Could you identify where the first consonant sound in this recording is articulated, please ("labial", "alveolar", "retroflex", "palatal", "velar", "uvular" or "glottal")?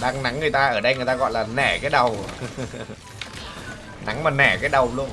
alveolar